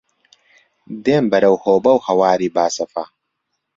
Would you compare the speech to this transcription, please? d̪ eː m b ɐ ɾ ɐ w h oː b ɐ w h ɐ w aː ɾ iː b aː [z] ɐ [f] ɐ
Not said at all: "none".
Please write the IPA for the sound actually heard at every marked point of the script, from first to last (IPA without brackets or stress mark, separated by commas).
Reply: s, f